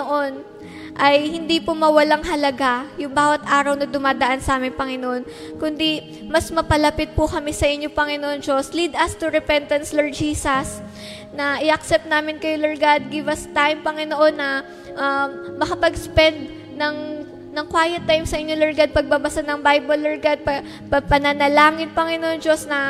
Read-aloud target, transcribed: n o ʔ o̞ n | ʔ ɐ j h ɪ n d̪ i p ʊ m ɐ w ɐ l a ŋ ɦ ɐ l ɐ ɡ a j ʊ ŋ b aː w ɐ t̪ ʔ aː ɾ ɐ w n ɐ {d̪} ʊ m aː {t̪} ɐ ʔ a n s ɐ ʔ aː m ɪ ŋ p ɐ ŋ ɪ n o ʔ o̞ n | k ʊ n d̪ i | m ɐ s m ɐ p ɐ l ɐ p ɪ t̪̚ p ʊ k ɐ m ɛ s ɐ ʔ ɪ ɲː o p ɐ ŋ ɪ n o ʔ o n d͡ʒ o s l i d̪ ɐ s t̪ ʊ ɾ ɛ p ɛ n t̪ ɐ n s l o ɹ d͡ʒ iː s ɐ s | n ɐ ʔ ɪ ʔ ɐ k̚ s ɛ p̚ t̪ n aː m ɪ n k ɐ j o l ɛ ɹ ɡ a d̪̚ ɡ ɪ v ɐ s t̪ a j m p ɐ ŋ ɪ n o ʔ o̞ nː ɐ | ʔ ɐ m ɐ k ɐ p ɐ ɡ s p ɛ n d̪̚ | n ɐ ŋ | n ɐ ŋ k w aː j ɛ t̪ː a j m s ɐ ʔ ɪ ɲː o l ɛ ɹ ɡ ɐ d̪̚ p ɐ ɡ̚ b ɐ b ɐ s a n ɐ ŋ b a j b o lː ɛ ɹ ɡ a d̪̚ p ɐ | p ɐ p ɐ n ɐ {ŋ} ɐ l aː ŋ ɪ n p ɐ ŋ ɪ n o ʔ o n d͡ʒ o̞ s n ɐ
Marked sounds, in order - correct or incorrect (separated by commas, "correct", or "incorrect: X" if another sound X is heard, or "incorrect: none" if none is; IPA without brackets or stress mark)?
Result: correct, incorrect: d̪, incorrect: n